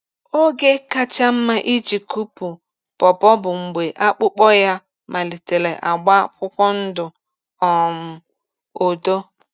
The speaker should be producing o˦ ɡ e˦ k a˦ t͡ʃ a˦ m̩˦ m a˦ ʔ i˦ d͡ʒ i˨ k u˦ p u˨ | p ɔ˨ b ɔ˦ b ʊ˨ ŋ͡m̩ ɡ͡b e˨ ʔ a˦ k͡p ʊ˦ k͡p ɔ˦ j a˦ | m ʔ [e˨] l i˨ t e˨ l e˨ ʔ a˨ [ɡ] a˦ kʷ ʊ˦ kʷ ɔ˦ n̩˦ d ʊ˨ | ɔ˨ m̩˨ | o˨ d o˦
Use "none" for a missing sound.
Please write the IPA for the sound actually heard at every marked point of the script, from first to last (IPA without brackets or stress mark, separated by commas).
a˨, ɡ͡b